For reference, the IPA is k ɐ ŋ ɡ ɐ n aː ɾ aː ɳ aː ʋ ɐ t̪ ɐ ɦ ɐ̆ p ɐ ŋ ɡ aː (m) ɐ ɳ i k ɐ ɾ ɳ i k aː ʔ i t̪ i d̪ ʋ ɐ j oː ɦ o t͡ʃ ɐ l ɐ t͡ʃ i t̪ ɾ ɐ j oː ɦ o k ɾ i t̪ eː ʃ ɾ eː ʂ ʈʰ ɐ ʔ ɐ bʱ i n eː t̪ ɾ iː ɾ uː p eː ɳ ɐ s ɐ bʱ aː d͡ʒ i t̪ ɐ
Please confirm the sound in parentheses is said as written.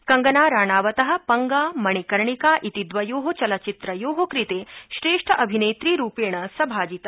yes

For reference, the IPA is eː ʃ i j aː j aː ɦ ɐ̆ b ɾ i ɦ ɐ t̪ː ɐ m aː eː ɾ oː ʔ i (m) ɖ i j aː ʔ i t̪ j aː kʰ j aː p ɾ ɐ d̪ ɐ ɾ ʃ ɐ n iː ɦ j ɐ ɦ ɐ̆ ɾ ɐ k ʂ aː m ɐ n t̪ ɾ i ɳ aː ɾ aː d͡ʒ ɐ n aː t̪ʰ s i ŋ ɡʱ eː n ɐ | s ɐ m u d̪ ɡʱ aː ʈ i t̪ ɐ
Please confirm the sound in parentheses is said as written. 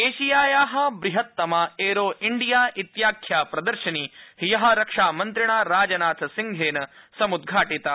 no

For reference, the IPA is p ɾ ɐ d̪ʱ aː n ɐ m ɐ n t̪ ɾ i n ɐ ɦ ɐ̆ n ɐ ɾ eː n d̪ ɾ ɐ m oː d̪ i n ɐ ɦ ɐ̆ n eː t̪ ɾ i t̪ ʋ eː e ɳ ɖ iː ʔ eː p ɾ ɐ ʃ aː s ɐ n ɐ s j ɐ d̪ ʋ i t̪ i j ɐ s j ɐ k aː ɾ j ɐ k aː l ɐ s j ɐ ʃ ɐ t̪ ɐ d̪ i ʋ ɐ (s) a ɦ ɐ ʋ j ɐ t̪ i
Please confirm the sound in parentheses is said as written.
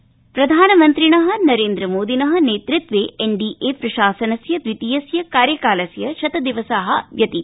yes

